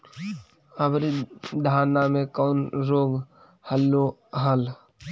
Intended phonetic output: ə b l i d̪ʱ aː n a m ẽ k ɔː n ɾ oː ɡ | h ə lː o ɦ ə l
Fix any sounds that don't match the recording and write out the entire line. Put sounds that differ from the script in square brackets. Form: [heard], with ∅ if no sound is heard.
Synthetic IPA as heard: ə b [ɾ] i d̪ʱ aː n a m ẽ k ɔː n ɾ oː ɡ | h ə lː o ɦ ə l